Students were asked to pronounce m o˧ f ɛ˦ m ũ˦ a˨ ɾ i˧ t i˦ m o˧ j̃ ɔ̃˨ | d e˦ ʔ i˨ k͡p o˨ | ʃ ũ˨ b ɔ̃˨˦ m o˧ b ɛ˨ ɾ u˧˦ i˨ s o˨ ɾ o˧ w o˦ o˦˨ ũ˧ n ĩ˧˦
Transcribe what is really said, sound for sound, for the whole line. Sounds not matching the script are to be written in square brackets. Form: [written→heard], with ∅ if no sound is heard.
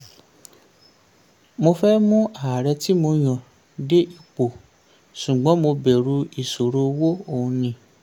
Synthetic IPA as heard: m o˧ f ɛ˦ m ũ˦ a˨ ɾ [i˧→ɛ˧] t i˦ m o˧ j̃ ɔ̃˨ | d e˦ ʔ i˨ k͡p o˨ | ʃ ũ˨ [b→ɡ͡b] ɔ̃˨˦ m o˧ b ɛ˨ ɾ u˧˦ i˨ s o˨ ɾ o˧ w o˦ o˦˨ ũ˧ n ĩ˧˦